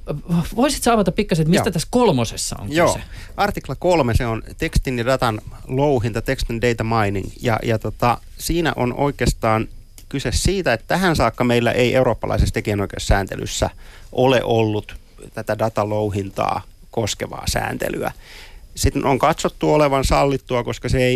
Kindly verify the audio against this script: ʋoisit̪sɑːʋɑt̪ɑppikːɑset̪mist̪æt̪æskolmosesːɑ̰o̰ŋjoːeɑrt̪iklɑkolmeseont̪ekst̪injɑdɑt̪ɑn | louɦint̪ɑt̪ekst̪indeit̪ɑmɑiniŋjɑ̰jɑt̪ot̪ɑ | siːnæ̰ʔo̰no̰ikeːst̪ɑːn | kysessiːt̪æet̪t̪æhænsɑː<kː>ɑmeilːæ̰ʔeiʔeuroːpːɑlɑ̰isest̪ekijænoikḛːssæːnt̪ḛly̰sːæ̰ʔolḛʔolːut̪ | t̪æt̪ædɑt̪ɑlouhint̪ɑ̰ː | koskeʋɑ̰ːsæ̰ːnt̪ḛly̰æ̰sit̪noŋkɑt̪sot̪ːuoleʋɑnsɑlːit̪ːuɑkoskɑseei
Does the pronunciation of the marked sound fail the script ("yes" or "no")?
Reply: no